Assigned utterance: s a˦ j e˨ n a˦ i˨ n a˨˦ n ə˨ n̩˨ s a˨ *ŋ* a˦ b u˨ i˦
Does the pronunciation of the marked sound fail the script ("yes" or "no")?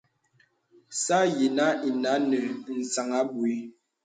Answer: no